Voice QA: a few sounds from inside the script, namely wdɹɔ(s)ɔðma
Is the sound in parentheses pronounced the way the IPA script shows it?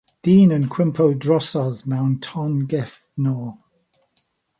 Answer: yes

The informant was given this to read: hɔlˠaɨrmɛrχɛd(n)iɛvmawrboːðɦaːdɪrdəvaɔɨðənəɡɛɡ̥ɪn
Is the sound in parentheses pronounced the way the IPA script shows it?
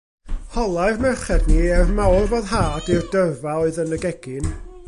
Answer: yes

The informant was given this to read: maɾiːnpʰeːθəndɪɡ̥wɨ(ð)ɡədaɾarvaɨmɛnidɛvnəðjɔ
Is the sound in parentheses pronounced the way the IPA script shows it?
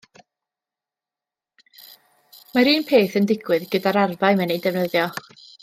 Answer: yes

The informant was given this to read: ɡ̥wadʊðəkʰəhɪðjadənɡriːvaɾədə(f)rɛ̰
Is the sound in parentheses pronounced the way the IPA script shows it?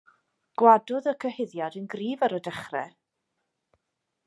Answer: no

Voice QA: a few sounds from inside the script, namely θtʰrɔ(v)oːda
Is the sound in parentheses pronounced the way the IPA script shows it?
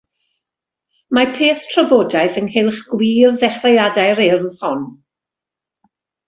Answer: yes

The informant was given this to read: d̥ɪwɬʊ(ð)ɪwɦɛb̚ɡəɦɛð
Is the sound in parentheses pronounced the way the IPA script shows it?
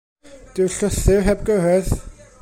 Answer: no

